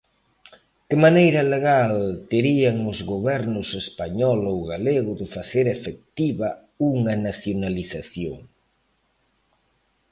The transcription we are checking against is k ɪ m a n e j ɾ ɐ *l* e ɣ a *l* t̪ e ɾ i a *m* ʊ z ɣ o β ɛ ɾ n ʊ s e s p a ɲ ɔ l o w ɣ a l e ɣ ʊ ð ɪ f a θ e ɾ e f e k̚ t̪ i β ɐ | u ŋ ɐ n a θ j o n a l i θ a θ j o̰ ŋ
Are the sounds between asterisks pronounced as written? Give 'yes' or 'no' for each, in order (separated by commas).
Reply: yes, yes, no